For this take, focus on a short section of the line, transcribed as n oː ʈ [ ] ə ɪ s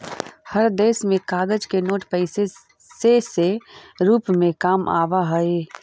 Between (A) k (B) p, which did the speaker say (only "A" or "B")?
B